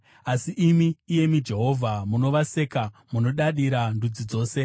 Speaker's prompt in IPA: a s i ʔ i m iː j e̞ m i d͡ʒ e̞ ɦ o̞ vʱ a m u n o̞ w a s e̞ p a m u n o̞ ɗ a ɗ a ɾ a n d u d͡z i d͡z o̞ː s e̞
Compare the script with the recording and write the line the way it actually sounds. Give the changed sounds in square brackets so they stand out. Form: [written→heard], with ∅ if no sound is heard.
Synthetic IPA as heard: a s i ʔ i m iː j e̞ m i d͡ʒ e̞ ɦ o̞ vʱ a m u n o̞ [w→ʋ] a s e̞ [p→k] a m u n o̞ ɗ a ɗ [a→i] ɾ a n d u d͡z i d͡z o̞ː s e̞